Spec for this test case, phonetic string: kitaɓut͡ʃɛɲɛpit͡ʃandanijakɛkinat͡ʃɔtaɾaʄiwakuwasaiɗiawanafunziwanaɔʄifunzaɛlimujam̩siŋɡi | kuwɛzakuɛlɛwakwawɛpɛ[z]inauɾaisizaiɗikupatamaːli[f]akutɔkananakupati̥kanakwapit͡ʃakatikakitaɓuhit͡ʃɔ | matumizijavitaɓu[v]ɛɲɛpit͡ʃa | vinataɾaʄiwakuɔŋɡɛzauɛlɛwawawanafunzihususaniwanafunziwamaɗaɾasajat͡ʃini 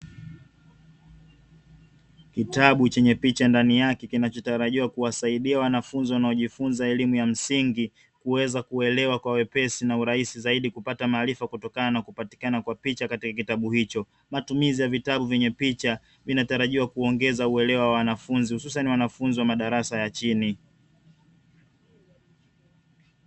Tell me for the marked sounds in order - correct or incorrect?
incorrect, correct, correct

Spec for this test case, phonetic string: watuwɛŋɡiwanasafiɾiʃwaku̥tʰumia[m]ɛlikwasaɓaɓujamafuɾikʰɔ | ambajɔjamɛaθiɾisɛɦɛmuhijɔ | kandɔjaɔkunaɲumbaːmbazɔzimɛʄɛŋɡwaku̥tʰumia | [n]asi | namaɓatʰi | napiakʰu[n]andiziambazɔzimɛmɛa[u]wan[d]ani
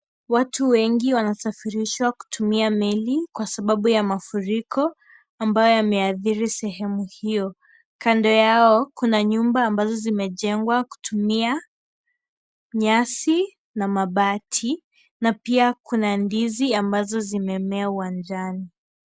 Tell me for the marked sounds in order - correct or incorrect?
correct, incorrect, correct, correct, incorrect

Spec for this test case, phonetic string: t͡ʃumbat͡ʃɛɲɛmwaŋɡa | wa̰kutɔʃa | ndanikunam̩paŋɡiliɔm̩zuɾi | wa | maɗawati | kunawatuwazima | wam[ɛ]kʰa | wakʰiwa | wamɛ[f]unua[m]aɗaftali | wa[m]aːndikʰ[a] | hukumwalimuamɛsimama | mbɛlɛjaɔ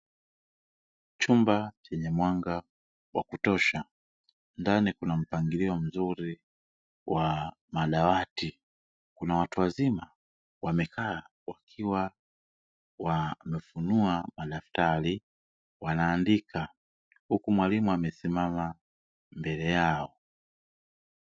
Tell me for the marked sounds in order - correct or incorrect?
correct, correct, correct, incorrect, correct

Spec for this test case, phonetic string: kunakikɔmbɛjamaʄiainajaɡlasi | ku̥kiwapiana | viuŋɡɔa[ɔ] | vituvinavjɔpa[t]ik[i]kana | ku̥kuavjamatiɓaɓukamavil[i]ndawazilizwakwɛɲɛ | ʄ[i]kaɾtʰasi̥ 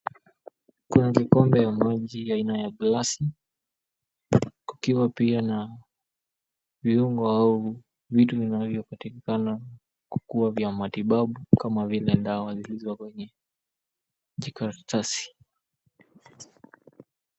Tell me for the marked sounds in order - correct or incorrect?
incorrect, correct, correct, incorrect, correct

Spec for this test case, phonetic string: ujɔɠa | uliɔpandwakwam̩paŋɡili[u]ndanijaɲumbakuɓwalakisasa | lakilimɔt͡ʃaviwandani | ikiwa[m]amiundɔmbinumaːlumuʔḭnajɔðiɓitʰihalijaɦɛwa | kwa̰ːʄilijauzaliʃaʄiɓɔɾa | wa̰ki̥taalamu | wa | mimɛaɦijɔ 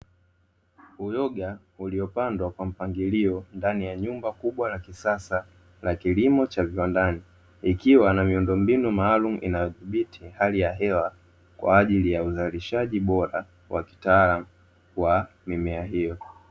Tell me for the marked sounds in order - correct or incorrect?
incorrect, incorrect

